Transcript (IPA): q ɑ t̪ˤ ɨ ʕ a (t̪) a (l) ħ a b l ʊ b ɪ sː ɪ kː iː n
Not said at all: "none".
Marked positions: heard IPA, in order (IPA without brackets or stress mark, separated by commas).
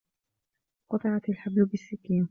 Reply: t̪, l